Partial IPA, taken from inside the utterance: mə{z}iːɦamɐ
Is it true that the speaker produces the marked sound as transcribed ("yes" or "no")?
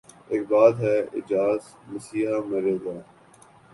no